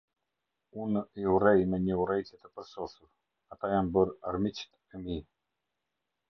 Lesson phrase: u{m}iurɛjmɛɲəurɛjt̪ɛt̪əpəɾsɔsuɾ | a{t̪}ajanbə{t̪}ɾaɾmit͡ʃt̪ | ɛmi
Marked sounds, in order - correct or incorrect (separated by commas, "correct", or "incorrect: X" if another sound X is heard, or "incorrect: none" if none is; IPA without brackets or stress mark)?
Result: incorrect: n, correct, incorrect: none